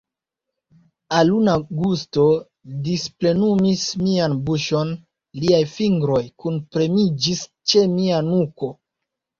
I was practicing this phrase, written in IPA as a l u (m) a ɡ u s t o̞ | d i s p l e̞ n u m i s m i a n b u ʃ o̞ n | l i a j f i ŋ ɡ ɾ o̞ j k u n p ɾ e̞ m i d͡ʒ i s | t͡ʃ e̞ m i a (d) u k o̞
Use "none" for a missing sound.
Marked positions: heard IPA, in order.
n, n

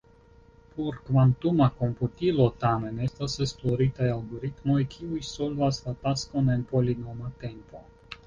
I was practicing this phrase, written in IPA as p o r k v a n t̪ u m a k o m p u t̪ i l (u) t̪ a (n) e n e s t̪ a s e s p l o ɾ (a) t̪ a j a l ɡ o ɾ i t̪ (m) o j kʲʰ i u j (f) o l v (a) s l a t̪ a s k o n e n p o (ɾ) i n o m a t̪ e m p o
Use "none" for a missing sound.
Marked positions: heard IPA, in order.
o, m, i, m, s, a, l

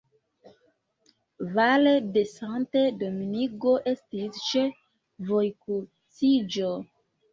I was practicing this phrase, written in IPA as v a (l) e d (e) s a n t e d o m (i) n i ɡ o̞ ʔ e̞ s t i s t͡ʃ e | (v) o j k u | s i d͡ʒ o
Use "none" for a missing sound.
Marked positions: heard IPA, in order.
l, e, i, v

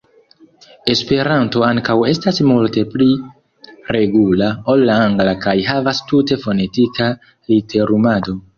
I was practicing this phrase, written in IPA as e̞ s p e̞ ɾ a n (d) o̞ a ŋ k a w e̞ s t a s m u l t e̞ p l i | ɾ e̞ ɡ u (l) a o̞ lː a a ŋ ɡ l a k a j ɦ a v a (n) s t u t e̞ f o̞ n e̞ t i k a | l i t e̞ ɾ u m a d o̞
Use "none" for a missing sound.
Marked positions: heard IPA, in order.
t, l, none

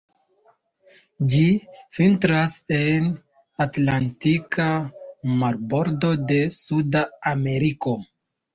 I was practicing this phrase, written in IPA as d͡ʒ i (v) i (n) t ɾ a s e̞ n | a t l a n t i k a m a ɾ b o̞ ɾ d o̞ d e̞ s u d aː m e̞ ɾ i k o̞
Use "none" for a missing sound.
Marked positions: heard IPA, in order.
f, n

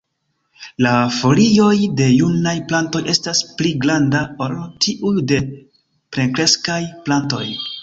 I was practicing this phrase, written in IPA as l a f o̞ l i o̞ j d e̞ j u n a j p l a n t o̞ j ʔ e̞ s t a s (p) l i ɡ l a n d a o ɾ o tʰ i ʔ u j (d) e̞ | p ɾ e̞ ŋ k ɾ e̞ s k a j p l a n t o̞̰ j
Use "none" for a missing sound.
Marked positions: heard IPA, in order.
p, d

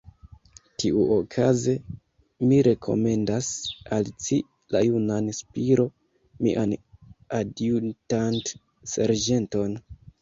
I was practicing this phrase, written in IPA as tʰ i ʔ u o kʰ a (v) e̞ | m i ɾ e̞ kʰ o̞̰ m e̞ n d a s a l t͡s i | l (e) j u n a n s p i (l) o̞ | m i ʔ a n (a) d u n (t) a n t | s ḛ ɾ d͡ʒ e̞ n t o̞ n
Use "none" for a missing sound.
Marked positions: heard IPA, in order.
z, a, ɾ, a, t

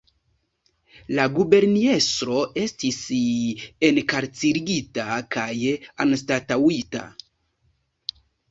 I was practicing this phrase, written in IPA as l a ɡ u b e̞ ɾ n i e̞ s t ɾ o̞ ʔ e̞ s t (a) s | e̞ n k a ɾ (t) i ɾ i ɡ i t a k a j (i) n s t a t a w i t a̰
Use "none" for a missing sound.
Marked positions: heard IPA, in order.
i, t͡s, a

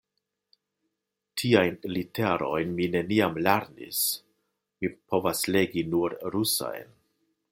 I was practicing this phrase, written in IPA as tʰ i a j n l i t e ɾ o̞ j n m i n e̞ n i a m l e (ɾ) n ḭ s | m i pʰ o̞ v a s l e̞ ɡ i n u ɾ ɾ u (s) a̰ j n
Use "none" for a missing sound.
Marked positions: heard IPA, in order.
ɾ, s

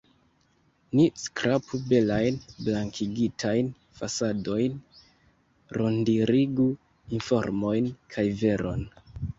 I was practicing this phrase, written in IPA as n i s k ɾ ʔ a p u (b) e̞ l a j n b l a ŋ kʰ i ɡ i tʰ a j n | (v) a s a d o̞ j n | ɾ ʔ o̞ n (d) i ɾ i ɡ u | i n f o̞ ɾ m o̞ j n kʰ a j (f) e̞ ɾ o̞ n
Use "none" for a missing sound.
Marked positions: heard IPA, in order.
b, f, d, v

